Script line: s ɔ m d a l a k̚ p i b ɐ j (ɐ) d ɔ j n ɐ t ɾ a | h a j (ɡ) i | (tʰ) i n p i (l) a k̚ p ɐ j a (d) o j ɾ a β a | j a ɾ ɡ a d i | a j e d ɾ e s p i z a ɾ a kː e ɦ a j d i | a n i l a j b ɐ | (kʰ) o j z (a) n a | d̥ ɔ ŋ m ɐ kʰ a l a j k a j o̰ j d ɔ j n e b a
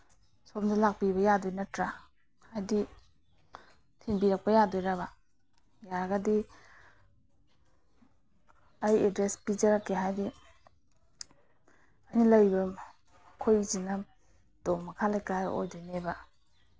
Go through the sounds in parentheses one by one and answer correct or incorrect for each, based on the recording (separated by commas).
incorrect, incorrect, correct, incorrect, correct, correct, incorrect